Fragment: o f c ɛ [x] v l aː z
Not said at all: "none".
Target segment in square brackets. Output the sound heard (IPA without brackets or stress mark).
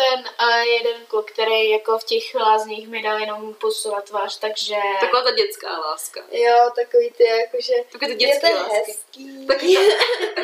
x